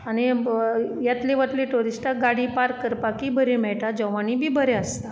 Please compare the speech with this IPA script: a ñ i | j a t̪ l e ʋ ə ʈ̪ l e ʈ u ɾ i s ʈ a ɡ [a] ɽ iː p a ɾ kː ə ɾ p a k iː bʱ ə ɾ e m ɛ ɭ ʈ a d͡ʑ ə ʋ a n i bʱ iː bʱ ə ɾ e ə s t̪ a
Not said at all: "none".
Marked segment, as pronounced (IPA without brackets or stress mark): a